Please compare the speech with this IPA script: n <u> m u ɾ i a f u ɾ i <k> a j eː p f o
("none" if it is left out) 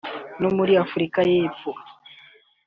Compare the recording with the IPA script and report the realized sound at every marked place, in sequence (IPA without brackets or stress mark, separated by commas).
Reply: o, k